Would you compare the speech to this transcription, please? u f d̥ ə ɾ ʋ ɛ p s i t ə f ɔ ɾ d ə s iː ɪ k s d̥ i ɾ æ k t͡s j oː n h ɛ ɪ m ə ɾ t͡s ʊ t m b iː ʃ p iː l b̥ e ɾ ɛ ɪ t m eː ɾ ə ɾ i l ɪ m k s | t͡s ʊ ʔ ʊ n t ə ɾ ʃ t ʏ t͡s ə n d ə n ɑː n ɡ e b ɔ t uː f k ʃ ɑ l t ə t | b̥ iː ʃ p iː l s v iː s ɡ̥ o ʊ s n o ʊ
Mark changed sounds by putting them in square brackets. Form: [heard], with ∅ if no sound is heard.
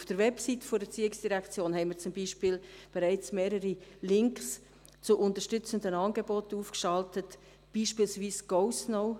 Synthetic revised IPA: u f d̥ ə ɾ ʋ ɛ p s i t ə f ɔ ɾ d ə [t͡s] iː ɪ k s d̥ i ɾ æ k t͡s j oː n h ɛ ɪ m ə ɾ t͡s ʊ [∅] m b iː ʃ p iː l b̥ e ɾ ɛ ɪ [t͡s] m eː ɾ ə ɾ i l ɪ [ŋ] k s | t͡s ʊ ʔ ʊ n t ə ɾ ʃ t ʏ t͡s ə n d ə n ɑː n ɡ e b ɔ t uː f k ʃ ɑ l t ə t | b̥ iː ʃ p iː l s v iː s ɡ̥ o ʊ s n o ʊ